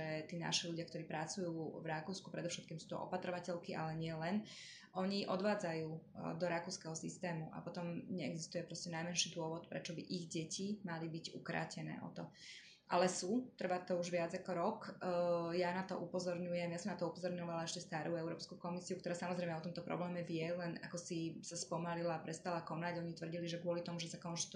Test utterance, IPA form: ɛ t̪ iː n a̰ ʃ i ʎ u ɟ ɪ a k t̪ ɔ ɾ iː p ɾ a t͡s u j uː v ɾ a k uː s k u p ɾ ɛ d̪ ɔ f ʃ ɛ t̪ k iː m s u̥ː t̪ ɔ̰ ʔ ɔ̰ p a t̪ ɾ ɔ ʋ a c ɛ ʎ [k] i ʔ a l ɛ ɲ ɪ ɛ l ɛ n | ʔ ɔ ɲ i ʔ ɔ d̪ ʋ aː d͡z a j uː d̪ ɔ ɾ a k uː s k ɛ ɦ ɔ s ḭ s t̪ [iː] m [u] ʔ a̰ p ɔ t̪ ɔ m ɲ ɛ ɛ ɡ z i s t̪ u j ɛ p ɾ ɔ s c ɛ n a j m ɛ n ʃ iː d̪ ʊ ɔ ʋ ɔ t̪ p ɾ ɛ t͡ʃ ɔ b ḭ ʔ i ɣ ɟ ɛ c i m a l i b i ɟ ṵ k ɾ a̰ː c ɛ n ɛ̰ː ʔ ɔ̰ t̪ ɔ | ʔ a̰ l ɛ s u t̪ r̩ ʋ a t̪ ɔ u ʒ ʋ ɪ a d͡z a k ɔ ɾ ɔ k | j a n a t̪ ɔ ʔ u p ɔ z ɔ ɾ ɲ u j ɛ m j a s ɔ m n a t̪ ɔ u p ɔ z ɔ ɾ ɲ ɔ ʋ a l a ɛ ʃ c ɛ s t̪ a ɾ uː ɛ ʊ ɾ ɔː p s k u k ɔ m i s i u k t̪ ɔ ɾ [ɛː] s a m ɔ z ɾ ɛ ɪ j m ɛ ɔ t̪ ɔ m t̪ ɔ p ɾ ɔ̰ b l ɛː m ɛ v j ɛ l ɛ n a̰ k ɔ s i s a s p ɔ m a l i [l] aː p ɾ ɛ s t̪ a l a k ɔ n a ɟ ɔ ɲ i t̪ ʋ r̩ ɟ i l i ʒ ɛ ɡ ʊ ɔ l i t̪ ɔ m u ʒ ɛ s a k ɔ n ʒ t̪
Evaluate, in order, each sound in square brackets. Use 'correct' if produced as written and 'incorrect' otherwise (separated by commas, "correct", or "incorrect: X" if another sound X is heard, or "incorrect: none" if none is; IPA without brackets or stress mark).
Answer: correct, incorrect: ɛː, correct, incorrect: aː, correct